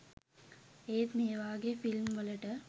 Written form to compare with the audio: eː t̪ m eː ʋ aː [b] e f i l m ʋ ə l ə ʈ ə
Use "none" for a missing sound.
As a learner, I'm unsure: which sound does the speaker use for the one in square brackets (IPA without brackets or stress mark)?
ɡ